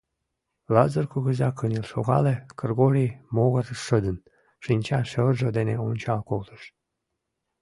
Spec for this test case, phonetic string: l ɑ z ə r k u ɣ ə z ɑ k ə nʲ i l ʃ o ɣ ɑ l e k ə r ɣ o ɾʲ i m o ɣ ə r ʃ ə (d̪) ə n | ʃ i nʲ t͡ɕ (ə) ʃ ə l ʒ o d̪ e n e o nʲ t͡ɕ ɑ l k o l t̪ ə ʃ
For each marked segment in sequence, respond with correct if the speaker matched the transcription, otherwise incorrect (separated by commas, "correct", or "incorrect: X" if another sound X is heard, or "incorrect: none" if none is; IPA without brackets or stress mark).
correct, incorrect: ɑ